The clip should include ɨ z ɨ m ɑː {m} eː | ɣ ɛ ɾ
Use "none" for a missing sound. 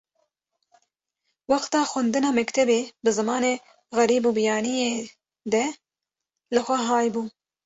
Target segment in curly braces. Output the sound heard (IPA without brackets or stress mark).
n